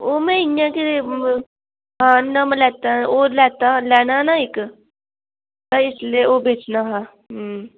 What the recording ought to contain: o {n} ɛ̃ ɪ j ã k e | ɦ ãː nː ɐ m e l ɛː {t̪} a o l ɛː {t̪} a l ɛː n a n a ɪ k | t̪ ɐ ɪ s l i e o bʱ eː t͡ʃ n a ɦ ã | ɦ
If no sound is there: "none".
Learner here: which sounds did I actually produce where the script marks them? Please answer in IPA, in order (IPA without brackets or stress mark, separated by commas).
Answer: m, t̪, t̪